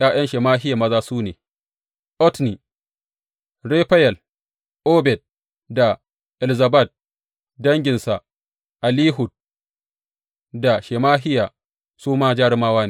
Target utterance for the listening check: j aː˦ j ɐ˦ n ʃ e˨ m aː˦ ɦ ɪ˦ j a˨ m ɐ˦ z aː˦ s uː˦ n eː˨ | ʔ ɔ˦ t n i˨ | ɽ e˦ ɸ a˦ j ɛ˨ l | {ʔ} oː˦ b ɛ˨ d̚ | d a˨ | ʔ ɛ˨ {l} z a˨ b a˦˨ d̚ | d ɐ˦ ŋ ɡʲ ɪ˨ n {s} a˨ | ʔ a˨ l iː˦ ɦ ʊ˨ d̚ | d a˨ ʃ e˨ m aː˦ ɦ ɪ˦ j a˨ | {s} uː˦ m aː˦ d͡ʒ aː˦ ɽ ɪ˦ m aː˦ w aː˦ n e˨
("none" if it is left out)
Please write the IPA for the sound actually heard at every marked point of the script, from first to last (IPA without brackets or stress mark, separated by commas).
ʔ, l, s, s